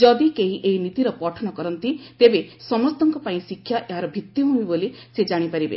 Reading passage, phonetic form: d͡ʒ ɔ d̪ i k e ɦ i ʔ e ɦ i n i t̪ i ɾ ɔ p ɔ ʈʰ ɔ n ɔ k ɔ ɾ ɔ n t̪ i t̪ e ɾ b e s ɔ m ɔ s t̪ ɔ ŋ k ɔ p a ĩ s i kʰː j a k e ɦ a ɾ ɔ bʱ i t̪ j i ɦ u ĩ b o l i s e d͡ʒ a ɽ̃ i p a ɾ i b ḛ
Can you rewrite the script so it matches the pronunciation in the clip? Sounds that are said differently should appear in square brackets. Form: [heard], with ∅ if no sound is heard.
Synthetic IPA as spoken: d͡ʒ ɔ d̪ i k e ɦ i ʔ e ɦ i n i t̪ i ɾ ɔ p ɔ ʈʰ ɔ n ɔ k ɔ ɾ ɔ n t̪ i t̪ e [∅] b e s ɔ m ɔ s t̪ ɔ ŋ k ɔ p a ĩ s i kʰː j a [ʔ] e ɦ a ɾ ɔ bʱ i t̪ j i ɦ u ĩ b o l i s e d͡ʒ a ɽ̃ i p a ɾ i b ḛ